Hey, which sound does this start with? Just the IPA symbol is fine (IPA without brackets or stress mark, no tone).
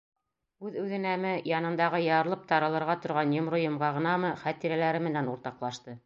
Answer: ʉ